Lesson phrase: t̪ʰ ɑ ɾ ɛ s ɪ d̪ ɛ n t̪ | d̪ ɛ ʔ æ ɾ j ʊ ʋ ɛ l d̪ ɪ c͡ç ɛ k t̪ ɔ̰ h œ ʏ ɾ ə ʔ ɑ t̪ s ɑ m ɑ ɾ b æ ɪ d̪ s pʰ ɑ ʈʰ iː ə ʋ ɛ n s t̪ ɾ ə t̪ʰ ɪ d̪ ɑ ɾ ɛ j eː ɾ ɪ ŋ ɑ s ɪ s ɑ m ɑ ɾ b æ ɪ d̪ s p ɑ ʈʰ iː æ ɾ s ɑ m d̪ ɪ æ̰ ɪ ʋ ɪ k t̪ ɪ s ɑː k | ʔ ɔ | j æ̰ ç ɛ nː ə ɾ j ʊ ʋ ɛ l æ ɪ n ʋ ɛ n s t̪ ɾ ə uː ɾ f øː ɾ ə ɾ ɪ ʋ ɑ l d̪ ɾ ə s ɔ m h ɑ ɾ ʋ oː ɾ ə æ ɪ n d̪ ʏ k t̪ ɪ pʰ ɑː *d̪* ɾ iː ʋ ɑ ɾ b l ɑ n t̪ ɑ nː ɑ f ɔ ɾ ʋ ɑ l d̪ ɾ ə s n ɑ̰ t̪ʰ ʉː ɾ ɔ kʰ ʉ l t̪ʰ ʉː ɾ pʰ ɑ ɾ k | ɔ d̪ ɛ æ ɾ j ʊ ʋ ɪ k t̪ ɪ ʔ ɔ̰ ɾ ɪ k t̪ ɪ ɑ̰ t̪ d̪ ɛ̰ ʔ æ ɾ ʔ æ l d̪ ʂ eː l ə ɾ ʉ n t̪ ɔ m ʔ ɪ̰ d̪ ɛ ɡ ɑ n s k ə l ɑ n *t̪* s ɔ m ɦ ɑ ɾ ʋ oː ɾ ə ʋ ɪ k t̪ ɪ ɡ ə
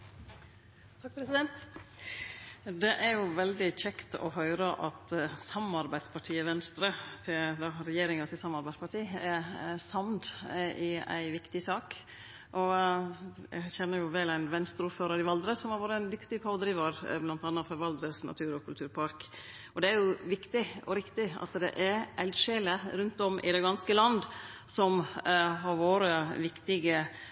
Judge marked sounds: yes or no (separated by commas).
yes, no